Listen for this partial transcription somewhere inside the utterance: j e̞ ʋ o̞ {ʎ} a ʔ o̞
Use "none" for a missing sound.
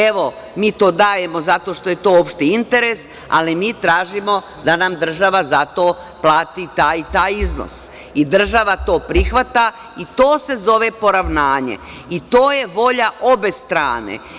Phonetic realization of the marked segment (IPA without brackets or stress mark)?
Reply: ʎ